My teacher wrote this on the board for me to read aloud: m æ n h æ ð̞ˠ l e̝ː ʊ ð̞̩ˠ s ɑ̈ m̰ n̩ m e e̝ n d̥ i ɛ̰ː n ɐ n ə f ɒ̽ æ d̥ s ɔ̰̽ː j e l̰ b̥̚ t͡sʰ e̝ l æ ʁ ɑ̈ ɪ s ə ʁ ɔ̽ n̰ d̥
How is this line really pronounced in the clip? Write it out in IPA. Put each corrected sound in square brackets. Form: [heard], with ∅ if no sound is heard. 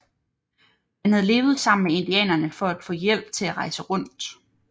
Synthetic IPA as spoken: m æ n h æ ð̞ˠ l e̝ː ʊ ð̞̩ˠ s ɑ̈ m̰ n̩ m e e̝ n d̥ i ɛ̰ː n ɐ n ə f ɒ̽ æ d̥ [f] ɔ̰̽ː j e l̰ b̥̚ t͡sʰ e̝ l æ ʁ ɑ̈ ɪ s ə ʁ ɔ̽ n̰ d̥